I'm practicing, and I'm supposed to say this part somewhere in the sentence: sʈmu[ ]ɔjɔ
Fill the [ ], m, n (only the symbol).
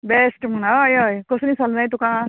n